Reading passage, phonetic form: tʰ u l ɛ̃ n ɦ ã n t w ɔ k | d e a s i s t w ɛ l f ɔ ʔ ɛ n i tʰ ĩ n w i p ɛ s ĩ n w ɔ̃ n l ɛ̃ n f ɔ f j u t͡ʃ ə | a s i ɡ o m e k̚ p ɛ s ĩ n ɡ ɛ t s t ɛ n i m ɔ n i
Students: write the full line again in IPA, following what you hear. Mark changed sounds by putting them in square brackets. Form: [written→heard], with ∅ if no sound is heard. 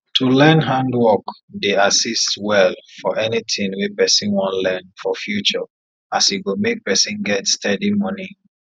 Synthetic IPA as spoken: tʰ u l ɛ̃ n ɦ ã n [t→d] w ɔ k | d e a s i s t w ɛ l f ɔ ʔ ɛ n i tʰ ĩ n w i p ɛ s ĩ n w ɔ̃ n l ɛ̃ n f ɔ f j u t͡ʃ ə | a s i ɡ o m e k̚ p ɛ s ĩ n ɡ ɛ t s t ɛ [n→d] i m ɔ n i